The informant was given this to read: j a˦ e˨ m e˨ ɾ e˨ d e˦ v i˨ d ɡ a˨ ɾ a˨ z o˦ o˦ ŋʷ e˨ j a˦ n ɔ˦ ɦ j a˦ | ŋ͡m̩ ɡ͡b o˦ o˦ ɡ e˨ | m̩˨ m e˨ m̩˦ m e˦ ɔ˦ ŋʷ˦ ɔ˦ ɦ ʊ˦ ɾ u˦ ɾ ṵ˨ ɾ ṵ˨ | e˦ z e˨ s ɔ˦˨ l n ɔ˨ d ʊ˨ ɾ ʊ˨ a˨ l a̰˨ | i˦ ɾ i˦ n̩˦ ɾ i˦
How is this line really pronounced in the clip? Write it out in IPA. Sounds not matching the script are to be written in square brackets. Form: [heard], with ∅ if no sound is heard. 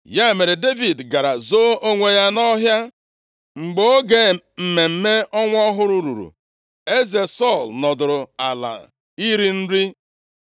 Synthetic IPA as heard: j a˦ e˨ m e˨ ɾ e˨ d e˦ v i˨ d ɡ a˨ ɾ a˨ z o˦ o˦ ŋʷ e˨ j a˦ n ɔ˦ ɦ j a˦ | ŋ͡m̩ ɡ͡b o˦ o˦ ɡ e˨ | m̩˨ m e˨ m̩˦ m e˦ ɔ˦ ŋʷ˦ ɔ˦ ɦ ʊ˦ ɾ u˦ ɾ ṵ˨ ɾ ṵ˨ | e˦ z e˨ s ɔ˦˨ l n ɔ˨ d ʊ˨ ɾ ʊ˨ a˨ l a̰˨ | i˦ ɾ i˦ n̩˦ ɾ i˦